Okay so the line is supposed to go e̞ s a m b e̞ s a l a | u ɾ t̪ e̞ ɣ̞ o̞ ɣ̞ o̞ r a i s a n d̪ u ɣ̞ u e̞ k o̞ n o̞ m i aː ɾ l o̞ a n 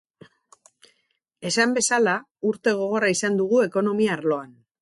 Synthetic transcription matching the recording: e̞ s a m b e̞ s a l a | u ɾ t̪ e̞ ɣ̞ o̞ ɣ̞ o̞ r a i s a n d̪ u ɣ̞ u e̞ k o̞ n o̞ m i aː ɾ l o̞ a n